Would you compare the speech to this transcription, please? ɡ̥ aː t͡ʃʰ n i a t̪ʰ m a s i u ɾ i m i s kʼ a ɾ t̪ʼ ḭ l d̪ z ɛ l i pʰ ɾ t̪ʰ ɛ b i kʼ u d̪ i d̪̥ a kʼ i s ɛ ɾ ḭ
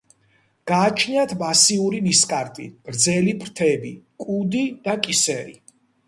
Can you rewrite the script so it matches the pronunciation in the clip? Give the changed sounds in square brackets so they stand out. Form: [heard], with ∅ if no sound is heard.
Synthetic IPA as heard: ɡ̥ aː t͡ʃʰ n i a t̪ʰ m a s i u ɾ i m i s kʼ a ɾ t̪ʼ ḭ [ɾ] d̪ z ɛ l i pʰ ɾ t̪ʰ ɛ b i kʼ u d̪ i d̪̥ a kʼ i s ɛ ɾ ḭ